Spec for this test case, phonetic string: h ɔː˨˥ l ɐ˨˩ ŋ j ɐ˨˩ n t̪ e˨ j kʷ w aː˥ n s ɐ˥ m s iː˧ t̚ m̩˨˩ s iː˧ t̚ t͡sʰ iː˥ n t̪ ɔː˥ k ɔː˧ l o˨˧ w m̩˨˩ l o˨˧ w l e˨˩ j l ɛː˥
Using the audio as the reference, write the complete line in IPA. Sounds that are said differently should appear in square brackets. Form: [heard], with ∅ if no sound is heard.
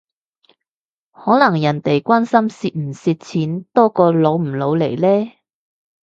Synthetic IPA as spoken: h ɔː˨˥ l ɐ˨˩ ŋ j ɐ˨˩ n t̪ e˨ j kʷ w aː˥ n s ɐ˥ m s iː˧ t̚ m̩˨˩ s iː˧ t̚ t͡sʰ [iː˨˥] n t̪ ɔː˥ k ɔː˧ l o˨˧ w m̩˨˩ l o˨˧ w l e˨˩ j l ɛː˥